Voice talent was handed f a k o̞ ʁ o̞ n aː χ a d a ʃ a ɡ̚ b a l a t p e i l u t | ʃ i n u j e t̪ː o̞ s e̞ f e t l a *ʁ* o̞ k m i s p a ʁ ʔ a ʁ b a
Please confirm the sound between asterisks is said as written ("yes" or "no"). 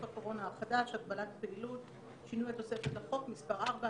no